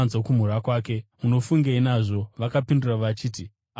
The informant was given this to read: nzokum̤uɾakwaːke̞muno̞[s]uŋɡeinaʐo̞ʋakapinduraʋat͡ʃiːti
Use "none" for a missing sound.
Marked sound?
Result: f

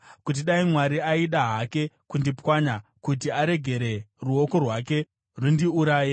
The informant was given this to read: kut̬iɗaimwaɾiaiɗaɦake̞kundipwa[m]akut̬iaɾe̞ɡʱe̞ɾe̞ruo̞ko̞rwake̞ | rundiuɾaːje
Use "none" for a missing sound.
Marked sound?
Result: ɲ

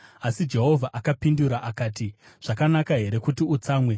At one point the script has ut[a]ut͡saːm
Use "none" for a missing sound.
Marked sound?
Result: i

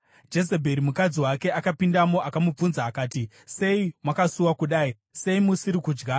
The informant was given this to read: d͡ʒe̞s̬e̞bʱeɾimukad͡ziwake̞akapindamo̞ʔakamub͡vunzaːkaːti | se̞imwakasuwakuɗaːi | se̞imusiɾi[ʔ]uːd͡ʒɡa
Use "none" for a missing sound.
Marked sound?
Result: k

